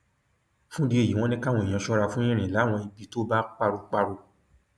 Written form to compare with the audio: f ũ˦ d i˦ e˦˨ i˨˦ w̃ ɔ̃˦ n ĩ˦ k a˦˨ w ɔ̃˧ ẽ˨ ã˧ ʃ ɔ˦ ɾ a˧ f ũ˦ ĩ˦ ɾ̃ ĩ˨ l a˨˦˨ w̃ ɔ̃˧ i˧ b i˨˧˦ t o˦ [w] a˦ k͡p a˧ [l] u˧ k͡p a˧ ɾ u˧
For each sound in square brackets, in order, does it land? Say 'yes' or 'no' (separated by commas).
no, no